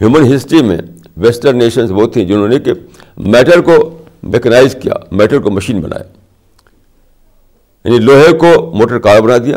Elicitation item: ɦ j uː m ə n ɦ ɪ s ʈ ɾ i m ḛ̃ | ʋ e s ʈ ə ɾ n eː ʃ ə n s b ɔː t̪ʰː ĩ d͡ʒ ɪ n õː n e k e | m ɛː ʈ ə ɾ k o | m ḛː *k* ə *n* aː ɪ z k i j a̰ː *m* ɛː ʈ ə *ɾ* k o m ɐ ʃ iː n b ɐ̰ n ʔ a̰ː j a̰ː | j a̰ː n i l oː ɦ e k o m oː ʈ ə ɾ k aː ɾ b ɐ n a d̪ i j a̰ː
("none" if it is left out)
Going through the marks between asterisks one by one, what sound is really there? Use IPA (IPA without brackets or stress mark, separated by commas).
k, n, m, ɾ